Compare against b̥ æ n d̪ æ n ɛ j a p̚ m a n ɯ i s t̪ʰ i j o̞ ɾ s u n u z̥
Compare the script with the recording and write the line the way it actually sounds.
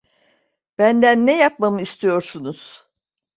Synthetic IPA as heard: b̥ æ n d̪ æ nː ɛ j a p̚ m a m ɯ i s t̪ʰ i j o̞ ɾ s u n u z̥